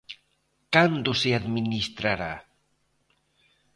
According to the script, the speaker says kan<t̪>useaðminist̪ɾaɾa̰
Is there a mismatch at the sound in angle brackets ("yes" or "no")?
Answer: yes